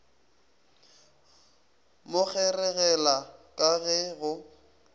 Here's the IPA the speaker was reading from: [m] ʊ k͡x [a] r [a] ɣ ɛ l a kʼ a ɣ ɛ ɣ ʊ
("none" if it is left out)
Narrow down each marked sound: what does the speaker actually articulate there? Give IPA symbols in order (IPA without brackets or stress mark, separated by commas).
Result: m, ɛ, ɛ